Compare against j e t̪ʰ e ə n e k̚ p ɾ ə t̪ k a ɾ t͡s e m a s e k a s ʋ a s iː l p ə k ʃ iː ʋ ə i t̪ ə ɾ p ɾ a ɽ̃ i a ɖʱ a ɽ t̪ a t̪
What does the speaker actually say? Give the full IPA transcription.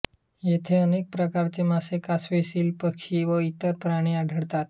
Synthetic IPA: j e t̪ʰ e ə n e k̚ p ɾ ə k a ɾ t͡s e m a s e k a s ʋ e s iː l p ə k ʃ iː ʋ ə i t̪ ə ɾ p ɾ a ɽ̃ i a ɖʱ ə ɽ t̪ a t̪